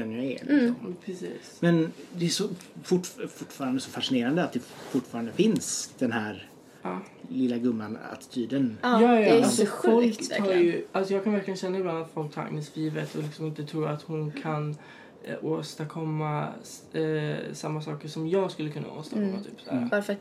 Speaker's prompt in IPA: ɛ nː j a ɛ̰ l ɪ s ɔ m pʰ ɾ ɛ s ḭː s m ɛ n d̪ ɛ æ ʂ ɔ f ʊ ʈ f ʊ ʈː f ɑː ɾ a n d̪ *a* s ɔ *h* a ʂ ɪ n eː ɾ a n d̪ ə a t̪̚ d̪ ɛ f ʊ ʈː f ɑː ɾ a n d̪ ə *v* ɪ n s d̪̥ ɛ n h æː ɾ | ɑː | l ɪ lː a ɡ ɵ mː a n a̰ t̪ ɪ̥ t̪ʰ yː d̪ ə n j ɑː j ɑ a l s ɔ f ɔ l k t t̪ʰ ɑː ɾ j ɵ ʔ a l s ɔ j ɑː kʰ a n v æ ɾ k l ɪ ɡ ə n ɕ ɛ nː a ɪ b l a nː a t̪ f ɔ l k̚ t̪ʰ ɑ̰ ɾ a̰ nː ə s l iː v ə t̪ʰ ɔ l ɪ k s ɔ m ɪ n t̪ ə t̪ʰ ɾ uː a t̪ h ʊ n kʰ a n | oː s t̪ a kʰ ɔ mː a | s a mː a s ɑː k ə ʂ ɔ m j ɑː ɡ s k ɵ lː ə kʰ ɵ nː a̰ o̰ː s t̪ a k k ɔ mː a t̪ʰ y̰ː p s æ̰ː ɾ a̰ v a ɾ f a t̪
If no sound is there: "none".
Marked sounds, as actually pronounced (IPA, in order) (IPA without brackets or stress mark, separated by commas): ə, f, f